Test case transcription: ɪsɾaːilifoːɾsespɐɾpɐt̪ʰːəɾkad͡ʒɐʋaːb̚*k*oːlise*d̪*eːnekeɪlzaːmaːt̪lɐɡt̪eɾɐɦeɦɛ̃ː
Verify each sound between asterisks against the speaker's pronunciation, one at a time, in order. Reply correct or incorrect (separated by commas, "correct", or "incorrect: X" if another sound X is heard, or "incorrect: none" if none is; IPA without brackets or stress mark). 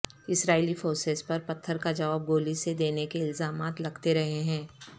incorrect: ɡ, correct